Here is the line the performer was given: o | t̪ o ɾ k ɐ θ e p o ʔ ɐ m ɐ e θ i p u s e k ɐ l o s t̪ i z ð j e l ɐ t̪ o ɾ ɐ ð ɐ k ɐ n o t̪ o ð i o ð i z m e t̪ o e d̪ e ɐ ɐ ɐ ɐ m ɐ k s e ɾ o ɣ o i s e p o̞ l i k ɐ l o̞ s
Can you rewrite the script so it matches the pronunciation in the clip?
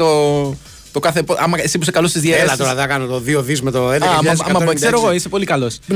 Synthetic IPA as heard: o | t̪ o k ɐ θ e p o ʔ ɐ m ɐ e s i p u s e k ɐ l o s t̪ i z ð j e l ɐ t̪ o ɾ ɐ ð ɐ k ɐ n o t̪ o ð i o ð i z m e t̪ o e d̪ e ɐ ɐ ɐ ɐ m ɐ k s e ɾ o ɣ o i s e p o̞ l i k ɐ l o̞ s